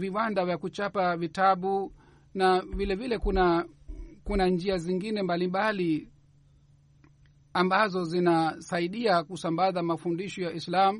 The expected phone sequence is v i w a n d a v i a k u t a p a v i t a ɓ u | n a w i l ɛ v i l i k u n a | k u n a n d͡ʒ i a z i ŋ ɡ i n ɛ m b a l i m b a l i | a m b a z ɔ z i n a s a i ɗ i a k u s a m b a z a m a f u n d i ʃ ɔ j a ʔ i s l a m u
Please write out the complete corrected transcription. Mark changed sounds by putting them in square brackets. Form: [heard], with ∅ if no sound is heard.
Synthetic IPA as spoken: v i w a n d a v [j] a k u [t͡ʃ] a p a v i t a ɓ u | n a [v] i l ɛ v i l [ɛ] k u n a | k u n a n d͡ʒ i a z i ŋ ɡ i n ɛ m b a l i m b a l i | a m b a z ɔ z i n a s a i ɗ i a k u s a m b a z a m a f u n d i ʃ ɔ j a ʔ i s l a m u